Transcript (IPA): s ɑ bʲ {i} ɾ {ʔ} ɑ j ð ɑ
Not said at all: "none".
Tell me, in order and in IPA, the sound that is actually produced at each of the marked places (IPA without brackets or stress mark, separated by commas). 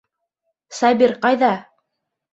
i, q